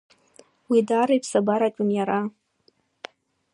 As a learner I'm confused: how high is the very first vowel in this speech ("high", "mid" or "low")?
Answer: high